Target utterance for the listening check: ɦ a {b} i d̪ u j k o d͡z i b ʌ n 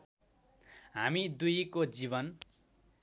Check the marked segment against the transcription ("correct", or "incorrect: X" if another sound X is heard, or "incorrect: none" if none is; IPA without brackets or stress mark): incorrect: m